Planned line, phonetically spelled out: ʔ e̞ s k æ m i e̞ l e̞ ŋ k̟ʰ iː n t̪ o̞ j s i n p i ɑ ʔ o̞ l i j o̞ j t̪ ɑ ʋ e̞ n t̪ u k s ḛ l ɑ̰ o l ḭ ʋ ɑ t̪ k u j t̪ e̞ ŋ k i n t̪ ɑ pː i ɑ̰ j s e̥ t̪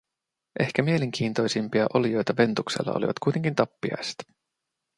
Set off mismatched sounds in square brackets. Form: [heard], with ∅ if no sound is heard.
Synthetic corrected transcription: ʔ e̞ [h] k æ m i e̞ l e̞ ŋ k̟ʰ iː n t̪ o̞ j s i [m] p i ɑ ʔ o̞ l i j o̞ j t̪ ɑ ʋ e̞ n t̪ u k s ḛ [lː] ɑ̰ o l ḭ ʋ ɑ t̪ k u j t̪ e̞ ŋ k i n t̪ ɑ pː i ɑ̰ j s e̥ t̪